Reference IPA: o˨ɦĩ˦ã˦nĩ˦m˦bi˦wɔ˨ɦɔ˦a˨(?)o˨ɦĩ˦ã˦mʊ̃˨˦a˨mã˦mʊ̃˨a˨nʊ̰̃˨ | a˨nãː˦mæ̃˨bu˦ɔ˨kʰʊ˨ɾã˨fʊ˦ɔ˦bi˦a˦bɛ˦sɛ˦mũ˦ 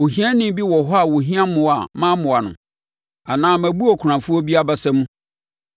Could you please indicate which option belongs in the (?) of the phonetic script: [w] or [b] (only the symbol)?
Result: w